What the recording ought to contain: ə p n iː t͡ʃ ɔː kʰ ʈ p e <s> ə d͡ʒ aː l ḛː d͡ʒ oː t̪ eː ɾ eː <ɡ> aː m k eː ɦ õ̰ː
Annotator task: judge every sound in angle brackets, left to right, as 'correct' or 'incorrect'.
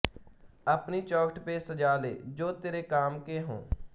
correct, incorrect: k

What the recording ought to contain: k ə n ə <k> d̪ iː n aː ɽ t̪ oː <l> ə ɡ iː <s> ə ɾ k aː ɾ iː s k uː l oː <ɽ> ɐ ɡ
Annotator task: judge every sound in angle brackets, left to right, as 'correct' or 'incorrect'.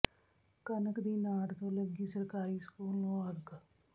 correct, correct, correct, incorrect: none

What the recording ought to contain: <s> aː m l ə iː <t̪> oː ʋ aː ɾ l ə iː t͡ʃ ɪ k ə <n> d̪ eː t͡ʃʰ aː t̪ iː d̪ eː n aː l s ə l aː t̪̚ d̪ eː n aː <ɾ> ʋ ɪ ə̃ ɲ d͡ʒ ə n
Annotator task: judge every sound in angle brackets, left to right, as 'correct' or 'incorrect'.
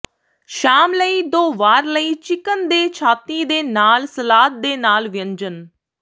incorrect: ʃ, incorrect: d̪, correct, incorrect: l

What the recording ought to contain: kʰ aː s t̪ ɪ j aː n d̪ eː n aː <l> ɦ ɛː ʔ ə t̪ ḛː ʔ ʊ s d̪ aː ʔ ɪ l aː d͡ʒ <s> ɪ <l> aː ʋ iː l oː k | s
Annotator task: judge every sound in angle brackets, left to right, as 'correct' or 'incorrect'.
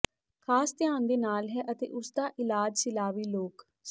correct, correct, correct

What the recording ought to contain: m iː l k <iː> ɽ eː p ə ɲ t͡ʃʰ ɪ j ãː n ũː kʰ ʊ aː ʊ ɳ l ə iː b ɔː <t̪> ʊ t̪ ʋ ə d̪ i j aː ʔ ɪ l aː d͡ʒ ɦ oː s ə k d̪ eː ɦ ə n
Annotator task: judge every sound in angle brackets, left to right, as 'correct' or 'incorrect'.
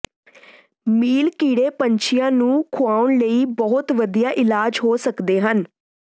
correct, incorrect: none

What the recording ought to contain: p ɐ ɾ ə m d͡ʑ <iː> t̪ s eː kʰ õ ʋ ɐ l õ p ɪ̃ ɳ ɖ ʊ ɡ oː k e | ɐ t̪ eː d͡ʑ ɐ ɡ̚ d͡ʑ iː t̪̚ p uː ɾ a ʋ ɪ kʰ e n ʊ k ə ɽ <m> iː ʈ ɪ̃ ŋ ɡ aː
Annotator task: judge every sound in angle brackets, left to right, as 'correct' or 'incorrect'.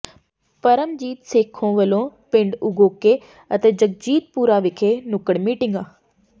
correct, correct

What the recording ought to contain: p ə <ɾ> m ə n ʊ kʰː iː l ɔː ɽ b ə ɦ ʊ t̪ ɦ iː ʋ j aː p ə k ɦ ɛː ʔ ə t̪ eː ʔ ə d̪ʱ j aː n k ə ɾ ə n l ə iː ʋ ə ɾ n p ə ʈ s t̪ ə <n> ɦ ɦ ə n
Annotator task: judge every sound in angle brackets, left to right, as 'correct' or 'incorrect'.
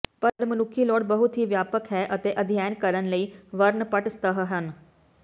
correct, incorrect: none

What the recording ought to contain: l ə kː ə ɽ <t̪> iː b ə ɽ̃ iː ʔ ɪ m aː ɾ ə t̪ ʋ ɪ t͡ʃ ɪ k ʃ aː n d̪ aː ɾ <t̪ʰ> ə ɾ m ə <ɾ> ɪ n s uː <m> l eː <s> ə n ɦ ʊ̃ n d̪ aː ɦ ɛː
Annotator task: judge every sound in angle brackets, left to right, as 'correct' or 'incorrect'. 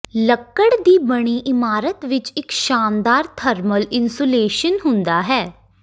incorrect: d̪, correct, incorrect: l, incorrect: none, incorrect: ʃ

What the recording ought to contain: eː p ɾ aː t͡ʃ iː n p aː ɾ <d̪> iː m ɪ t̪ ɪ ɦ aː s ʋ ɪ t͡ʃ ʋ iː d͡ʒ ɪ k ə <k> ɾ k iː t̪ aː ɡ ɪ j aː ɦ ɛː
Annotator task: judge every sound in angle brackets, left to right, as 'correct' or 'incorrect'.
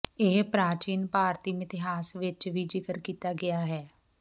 incorrect: t̪, incorrect: none

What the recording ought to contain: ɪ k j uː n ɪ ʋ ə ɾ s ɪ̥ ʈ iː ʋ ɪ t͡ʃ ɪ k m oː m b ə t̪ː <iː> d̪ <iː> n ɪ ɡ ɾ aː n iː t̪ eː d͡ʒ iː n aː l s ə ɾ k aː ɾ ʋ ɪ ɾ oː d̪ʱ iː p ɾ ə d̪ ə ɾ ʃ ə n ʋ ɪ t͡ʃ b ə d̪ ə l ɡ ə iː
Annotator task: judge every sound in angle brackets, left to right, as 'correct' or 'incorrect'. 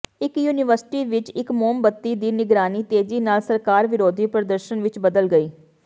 correct, correct

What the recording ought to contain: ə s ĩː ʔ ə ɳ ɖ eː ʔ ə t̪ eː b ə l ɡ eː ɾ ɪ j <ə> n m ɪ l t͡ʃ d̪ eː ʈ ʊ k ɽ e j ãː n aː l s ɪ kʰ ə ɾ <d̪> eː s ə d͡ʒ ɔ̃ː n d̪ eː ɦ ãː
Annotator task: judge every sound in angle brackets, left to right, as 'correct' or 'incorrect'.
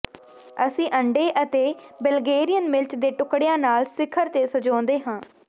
correct, incorrect: t̪

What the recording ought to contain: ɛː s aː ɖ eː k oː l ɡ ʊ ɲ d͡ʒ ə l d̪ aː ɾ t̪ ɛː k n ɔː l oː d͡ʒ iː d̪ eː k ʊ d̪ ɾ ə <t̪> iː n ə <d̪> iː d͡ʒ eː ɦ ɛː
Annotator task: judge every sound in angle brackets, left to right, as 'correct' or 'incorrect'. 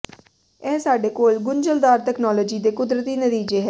correct, incorrect: t̪

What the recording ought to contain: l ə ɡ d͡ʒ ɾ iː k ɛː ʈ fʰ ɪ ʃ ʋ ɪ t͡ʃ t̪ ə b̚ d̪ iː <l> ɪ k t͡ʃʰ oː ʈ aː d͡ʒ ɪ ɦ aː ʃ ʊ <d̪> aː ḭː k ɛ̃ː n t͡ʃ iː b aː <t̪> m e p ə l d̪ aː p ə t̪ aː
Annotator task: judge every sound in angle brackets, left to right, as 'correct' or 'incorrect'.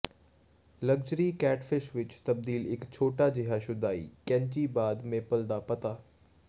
correct, correct, incorrect: d̪

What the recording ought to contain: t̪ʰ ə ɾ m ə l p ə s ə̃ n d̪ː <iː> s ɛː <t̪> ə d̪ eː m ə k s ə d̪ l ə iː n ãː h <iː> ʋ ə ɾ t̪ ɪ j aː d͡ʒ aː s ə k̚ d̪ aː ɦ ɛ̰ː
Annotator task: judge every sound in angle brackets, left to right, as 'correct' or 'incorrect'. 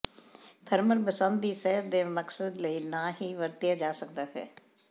correct, incorrect: none, correct

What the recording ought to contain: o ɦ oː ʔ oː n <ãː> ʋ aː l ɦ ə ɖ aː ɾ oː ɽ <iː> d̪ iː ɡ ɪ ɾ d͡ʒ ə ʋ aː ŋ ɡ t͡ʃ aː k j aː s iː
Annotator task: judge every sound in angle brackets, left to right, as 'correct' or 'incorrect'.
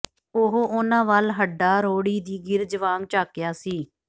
correct, correct

